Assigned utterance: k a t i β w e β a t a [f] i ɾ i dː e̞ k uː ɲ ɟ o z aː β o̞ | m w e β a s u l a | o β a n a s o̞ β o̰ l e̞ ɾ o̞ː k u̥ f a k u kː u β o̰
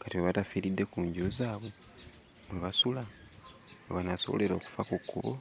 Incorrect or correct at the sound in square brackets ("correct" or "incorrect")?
correct